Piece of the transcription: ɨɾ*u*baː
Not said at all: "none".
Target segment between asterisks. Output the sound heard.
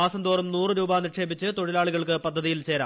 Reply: uː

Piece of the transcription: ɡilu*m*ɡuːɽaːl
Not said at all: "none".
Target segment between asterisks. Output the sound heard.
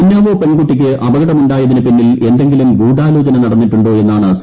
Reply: m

